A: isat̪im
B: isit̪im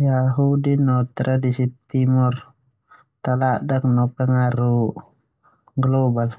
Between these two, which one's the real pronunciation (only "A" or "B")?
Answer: B